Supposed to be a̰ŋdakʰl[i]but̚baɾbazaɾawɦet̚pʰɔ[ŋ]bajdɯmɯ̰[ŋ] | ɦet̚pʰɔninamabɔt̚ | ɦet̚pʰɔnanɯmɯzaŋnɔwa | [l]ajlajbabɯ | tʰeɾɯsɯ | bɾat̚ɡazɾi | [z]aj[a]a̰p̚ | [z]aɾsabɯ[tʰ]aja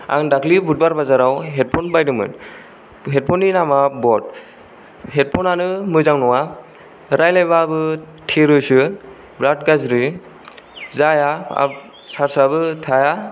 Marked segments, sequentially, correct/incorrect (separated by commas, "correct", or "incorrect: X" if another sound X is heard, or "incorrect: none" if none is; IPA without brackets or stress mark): correct, incorrect: n, incorrect: n, incorrect: ɾ, correct, correct, incorrect: s, correct